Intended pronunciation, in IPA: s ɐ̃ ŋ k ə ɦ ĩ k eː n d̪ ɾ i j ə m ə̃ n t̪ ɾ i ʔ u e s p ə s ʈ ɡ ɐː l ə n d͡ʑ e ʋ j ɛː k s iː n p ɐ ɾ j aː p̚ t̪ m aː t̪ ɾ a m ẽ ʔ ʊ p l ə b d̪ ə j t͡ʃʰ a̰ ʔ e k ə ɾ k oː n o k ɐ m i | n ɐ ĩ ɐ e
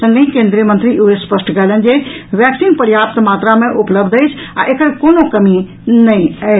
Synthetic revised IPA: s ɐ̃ ŋ ɡ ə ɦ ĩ k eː n d̪ ɾ i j ə m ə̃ n t̪ ɾ i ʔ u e s p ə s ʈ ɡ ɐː l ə n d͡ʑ e ʋ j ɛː k s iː n p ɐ ɾ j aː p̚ t̪ m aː t̪ ɾ a m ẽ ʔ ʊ p l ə b d̪ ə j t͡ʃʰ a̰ ʔ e k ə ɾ k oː n o k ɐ m i | n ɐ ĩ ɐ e